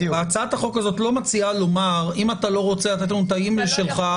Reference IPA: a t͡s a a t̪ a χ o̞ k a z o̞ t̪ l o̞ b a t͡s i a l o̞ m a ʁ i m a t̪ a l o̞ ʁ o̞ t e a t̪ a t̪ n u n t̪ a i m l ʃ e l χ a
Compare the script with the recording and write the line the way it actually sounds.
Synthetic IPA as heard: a t͡s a a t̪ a χ o̞ k a z o̞ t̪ l o̞ m a t͡s i a l o̞ m a ʁ i m a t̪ a l o̞ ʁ o̞ t͡s e a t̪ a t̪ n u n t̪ a i m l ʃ e l χ a

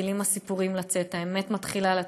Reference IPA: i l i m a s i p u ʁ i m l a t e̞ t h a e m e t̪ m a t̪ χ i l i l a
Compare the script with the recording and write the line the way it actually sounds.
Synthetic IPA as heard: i l i m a s i p u ʁ i m l a t͡s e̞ t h a e m e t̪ m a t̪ χ i l a l a

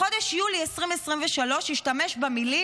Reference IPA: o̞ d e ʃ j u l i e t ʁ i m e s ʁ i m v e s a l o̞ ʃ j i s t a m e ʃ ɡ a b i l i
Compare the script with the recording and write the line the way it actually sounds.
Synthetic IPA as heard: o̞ d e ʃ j u l i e s ʁ i m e s ʁ i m v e ʃ a l o̞ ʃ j i ʃ t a m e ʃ b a m i l i

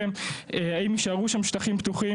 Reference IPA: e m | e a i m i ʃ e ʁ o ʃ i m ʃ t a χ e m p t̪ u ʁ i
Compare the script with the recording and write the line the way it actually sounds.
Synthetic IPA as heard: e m | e a i m i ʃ a ʁ u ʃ a m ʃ t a χ i m p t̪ u χ i

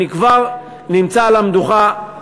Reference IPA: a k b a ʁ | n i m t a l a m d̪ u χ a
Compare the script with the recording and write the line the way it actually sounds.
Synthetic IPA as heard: i k v a ʁ | n i m t͡s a l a m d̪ u χ a

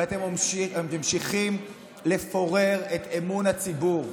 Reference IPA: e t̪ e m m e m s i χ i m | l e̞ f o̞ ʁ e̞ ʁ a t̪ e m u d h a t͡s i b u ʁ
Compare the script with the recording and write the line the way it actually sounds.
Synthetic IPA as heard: a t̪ e m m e m ʃ i χ i m | l e̞ f o̞ ʁ e̞ ʁ e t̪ e m u n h a t͡s i b u ʁ

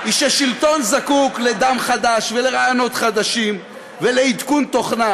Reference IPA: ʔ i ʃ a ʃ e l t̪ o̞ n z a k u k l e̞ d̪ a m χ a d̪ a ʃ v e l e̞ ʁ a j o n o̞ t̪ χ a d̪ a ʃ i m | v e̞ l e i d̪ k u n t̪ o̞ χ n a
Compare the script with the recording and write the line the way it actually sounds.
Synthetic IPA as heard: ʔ i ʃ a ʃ i l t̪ o̞ n z a k u k l e̞ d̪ a m χ a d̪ a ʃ v e l e̞ ʁ a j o n o̞ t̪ χ a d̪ a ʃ i m | v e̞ l e i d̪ k u n t̪ o̞ χ n a

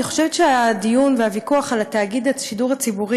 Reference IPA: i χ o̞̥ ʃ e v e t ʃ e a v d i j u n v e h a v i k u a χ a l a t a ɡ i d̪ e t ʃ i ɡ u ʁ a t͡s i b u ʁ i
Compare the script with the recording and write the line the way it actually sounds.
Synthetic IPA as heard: i χ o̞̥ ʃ e v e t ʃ e a d i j u n v e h a v i k u a χ a l a t a ɡ i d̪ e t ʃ i d u ʁ a t͡s i b u ʁ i

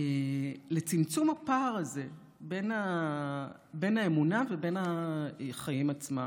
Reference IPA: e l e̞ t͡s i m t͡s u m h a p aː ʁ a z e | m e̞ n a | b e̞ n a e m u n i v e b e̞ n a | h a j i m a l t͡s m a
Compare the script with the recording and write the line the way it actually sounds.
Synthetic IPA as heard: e l e̞ t͡s i m t͡s u m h a p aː ʁ a z e | b e̞ n a | b e̞ n a e m u n a v e b e̞ n a | χ a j i m a t͡s m a

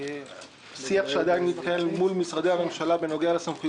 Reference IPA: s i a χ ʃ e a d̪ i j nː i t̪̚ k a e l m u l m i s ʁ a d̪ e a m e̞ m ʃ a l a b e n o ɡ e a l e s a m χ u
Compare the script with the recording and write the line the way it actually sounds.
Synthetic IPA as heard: s i a χ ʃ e a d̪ a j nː i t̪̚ k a e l m u l m i s ʁ a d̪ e a m e̞ m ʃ a l a b e n o ɡ e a l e s a m χ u

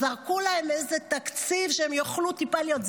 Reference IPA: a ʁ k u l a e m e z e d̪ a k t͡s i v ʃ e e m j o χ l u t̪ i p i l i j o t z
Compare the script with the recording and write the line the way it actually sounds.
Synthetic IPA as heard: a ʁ k u l a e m e z e t̪ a k t͡s i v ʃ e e m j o χ l u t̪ i p a l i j o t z

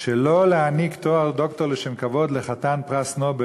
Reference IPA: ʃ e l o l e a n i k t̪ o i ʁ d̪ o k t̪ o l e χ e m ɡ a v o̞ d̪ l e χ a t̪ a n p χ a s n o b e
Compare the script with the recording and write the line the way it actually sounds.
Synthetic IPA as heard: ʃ e l o l e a n i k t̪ o a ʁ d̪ o k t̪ o l e ʃ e m k a v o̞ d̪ l e χ a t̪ a n p ʁ a s n o b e

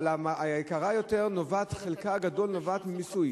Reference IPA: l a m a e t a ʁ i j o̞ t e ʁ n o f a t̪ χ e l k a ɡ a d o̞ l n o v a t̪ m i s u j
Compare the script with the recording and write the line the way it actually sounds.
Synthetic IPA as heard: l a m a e k a ʁ a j o̞ t e ʁ n o v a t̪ χ e l k a ɡ a d o̞ l n o v a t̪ m i s u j

